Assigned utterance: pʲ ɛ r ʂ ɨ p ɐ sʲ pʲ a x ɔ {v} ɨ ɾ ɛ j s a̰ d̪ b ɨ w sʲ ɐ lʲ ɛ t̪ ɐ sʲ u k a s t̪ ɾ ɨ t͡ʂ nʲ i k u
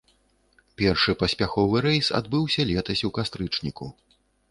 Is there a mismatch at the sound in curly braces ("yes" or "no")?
no